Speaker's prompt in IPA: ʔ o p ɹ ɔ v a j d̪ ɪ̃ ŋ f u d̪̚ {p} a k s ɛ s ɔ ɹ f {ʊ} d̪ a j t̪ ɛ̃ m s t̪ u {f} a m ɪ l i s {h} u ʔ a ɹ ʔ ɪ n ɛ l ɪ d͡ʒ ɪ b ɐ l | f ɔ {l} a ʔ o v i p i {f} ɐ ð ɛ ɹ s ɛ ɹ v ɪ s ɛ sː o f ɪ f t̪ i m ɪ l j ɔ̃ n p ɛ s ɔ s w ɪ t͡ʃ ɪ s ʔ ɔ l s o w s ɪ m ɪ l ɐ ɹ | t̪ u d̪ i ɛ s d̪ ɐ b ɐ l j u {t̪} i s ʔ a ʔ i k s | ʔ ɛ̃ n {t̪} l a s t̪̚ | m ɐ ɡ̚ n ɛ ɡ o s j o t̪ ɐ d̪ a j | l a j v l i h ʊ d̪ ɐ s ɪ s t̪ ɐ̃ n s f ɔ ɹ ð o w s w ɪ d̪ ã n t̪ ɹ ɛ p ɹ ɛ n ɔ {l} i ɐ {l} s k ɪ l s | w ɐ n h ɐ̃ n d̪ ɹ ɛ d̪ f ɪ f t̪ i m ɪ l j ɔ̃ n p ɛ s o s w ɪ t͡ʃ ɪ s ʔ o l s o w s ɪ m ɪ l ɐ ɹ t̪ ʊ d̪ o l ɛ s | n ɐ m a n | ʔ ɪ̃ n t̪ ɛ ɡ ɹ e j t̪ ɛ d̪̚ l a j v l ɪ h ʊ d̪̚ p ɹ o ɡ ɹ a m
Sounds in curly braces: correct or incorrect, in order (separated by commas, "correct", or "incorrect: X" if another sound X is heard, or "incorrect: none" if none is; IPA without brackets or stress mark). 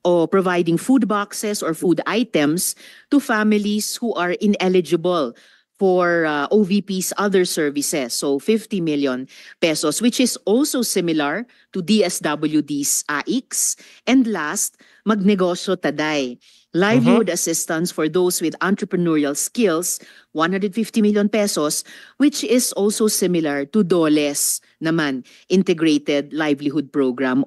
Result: incorrect: b, incorrect: u, correct, correct, incorrect: ɹ, incorrect: s, incorrect: d̪, incorrect: d̪, incorrect: ɹ, correct